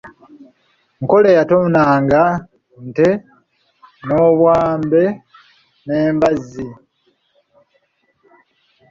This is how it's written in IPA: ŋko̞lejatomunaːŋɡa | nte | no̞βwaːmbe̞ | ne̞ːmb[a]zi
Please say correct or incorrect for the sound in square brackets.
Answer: correct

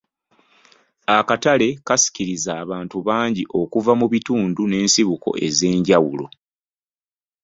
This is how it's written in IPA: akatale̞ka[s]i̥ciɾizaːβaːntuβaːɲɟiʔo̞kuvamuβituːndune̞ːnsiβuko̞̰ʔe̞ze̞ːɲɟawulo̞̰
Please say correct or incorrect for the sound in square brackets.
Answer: correct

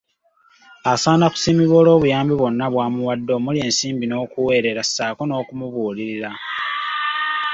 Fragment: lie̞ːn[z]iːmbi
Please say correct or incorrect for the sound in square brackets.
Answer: incorrect: s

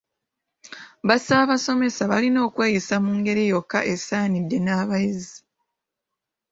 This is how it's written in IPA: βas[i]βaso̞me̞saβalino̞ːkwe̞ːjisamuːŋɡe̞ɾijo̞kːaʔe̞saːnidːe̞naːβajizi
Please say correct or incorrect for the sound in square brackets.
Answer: incorrect: a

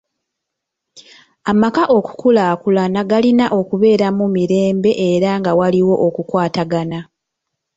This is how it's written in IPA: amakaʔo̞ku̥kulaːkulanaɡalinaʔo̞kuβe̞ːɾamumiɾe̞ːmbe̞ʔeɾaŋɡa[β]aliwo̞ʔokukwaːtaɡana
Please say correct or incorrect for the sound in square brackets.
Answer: incorrect: w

